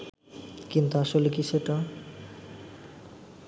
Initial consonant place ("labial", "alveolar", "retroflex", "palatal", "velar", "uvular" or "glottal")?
velar